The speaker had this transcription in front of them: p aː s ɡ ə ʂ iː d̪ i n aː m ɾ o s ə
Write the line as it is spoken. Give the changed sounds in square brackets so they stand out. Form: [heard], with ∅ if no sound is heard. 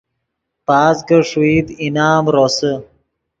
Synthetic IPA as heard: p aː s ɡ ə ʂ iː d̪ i n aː m ɾ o s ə